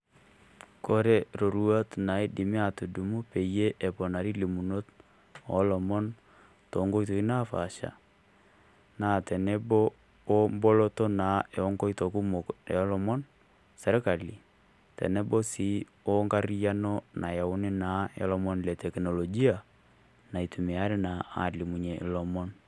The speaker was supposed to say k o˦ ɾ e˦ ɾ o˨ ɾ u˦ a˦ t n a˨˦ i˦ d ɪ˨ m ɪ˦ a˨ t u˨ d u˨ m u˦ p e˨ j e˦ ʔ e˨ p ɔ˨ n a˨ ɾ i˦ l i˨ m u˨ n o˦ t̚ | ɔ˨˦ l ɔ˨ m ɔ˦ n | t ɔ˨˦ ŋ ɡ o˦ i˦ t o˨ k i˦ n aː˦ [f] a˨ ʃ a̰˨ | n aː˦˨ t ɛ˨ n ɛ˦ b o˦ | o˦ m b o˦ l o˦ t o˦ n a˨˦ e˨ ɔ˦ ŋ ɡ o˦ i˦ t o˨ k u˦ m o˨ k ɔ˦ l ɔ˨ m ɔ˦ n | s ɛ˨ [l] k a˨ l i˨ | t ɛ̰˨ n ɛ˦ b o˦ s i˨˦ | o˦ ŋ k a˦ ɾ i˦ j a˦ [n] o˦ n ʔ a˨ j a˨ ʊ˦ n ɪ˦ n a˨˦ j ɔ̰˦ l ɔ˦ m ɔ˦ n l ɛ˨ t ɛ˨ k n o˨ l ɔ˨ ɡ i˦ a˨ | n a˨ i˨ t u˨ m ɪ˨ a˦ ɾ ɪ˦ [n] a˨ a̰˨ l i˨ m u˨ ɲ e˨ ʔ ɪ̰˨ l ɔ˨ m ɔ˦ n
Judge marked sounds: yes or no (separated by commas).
yes, no, yes, yes